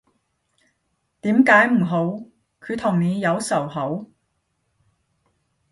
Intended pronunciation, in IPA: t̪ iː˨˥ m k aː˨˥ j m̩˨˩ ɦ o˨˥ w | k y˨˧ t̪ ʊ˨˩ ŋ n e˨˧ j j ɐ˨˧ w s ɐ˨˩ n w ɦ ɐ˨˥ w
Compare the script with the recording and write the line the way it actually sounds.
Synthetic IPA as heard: t̪ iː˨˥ m k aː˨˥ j m̩˨˩ ɦ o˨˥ w | kʰ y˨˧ t̪ʰ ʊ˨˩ ŋ n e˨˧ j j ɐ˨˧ w s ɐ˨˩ w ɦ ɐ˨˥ w